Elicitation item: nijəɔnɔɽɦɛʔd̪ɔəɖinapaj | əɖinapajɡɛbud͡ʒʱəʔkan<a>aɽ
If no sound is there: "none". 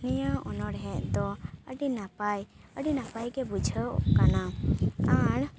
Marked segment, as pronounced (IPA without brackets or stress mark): a